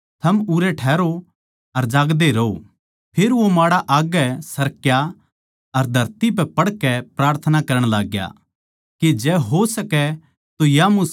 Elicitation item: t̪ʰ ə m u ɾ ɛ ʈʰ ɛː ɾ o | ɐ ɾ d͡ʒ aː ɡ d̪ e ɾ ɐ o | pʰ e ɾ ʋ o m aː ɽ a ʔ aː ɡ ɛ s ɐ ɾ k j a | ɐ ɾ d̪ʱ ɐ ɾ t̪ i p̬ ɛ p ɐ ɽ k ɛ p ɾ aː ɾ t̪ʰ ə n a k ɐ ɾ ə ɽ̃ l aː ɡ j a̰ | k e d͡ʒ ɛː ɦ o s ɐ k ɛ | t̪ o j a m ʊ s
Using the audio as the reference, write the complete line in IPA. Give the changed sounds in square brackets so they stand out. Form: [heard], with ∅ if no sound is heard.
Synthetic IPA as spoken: t̪ʰ [ɐ] m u ɾ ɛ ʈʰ ɛː ɾ o | ɐ ɾ d͡ʒ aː ɡ d̪ e ɾ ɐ o | pʰ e ɾ ʋ o m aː ɽ a ʔ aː ɡ ɛ s ɐ ɾ k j a | ɐ ɾ d̪ʱ ɐ ɾ t̪ i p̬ ɛ p ɐ ɽ k ɛ p ɾ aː ɾ t̪ʰ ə n a k ɐ ɾ ə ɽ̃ l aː ɡ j a̰ | k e d͡ʒ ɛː ɦ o s ɐ k ɛ | t̪ o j a m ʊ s